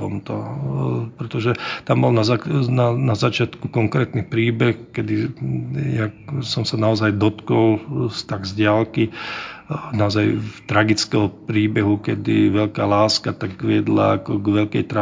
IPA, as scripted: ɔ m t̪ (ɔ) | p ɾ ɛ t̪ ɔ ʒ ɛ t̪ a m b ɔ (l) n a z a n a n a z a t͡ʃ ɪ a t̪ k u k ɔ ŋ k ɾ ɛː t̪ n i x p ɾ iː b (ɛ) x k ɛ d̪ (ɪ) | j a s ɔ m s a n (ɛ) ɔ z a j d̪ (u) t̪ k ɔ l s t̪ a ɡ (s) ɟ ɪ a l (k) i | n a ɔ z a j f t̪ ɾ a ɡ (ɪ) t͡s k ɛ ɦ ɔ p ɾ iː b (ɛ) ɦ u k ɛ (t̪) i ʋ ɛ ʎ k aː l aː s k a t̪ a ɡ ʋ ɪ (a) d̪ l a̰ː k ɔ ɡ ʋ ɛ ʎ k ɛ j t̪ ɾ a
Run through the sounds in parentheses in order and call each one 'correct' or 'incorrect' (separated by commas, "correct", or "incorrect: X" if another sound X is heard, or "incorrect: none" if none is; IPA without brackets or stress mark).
correct, correct, correct, incorrect: i, incorrect: a, incorrect: ɔ, incorrect: z, correct, incorrect: i, correct, incorrect: d̪, incorrect: ɛ